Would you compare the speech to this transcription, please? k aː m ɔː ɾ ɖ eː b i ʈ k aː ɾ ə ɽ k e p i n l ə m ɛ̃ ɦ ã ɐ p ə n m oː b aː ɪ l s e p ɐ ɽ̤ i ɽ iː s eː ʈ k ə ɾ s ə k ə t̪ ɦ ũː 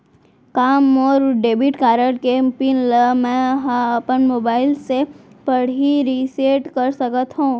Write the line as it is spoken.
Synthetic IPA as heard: k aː m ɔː ɾ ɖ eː b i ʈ k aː ɾ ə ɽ k e p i n l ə m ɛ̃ ɦ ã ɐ p ə n m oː b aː ɪ l s e p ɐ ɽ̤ i ɾ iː s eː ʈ k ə ɾ s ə k ə t̪ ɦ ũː